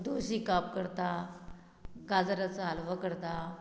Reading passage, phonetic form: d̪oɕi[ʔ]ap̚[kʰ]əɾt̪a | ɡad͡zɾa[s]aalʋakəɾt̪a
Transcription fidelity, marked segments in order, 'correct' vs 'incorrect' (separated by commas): incorrect, incorrect, incorrect